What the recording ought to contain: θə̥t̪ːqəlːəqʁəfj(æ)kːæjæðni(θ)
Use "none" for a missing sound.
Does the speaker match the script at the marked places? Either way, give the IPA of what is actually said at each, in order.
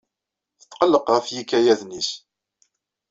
i, s

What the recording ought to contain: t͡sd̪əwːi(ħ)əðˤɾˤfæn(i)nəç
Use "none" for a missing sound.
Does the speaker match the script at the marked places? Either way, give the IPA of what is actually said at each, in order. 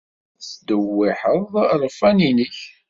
ħ, i

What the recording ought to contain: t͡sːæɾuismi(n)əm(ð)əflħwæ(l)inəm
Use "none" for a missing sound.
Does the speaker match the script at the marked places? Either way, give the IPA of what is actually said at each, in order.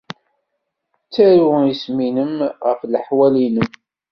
n, ʁ, l

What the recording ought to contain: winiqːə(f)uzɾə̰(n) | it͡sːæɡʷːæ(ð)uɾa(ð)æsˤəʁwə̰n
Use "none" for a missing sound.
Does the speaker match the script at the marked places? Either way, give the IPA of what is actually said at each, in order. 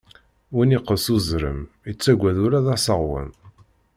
s, m, ð, ð

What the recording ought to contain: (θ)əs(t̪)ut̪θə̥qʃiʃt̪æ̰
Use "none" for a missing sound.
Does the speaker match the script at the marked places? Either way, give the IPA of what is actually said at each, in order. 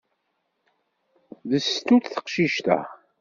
ð, t̪

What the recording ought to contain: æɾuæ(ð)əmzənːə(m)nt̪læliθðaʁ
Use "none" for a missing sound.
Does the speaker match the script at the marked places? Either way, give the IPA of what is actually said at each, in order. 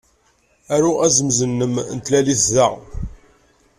z, m

